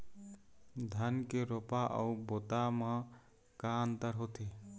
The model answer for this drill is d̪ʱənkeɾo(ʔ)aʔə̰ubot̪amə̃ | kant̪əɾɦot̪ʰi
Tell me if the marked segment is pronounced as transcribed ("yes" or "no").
no